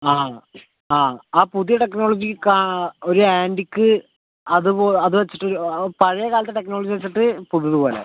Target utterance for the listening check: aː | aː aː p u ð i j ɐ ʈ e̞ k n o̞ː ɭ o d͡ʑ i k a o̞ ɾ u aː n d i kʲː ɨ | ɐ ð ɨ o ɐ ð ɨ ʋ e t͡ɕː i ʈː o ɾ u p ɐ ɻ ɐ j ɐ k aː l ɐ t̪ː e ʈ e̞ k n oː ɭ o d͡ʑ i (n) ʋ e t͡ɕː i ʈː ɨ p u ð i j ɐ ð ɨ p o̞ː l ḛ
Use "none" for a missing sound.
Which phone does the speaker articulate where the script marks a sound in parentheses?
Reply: none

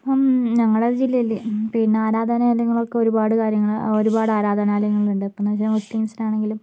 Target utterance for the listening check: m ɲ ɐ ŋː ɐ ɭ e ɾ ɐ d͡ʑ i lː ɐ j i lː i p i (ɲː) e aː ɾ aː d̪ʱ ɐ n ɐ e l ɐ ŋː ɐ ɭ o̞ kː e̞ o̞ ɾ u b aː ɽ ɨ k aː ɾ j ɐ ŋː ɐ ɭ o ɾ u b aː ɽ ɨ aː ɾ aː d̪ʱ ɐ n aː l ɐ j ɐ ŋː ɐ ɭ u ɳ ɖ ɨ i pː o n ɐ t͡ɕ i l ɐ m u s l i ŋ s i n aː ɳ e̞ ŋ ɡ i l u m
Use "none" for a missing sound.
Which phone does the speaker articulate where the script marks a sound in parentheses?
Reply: nː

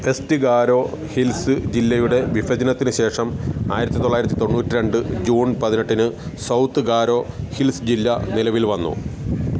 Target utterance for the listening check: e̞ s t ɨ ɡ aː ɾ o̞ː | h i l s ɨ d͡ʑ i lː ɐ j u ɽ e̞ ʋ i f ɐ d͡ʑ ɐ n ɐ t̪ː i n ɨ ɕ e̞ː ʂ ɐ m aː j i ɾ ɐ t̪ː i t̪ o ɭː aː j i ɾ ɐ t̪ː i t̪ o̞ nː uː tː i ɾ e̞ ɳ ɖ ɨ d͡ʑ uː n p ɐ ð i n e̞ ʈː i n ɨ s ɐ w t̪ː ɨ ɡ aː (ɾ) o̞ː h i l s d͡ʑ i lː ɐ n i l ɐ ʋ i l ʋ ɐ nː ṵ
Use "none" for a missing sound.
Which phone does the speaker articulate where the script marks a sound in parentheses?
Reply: ɾ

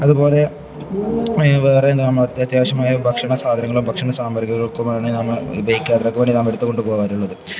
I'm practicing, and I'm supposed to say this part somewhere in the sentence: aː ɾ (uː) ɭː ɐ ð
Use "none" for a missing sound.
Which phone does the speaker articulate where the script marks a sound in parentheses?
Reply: u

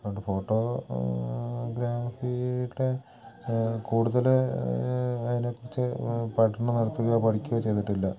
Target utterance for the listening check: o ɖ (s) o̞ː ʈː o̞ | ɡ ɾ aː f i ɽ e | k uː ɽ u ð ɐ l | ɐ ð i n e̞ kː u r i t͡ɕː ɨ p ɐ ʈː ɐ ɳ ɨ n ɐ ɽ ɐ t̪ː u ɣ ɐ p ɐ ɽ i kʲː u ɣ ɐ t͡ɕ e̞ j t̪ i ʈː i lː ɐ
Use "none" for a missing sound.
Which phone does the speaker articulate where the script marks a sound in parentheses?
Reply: f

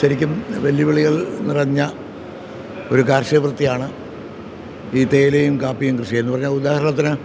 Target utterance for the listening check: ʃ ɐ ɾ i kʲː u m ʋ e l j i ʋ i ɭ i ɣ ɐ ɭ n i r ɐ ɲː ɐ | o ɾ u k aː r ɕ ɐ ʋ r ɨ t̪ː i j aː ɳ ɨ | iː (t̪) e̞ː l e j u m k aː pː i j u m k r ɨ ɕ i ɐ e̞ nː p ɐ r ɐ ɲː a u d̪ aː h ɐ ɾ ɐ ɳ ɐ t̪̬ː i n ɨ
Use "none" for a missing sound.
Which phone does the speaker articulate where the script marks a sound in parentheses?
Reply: t̪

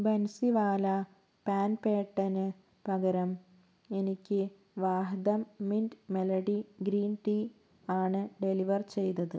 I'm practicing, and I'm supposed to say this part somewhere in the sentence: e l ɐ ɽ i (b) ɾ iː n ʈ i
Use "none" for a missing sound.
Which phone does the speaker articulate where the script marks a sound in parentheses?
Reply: ɡ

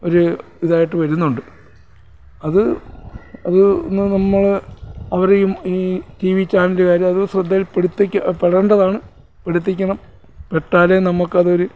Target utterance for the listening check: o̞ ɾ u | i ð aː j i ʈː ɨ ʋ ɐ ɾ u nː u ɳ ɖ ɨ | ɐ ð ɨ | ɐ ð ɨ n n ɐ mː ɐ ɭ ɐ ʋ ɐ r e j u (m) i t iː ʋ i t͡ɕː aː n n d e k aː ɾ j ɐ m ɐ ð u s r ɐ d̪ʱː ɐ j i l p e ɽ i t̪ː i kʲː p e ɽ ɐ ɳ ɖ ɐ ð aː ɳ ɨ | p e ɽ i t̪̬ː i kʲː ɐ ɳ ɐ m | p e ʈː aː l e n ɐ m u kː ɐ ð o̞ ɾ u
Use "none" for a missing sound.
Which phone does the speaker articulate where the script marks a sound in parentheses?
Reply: m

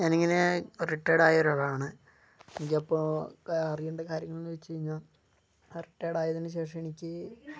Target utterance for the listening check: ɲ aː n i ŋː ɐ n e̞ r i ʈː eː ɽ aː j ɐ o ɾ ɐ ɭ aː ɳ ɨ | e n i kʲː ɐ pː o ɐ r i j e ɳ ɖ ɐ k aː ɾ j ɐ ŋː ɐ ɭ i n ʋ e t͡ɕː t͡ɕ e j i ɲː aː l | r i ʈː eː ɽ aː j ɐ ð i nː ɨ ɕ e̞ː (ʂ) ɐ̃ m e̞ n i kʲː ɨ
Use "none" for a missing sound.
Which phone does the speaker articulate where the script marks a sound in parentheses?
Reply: ʂ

